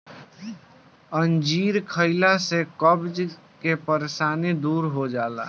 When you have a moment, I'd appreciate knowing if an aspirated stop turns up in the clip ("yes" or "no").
yes